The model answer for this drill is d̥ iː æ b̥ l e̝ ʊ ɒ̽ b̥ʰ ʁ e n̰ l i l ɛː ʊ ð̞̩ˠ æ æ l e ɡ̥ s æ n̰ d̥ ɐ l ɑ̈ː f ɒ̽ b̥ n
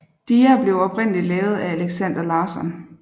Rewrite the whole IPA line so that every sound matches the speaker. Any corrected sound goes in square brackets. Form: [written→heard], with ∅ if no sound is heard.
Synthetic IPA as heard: d̥ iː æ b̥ l e̝ ʊ ɒ̽ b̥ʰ ʁ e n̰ l i l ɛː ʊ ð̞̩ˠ æ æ l e ɡ̥ s æ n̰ d̥ ɐ l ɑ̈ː [f→s] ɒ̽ [b̥→∅] n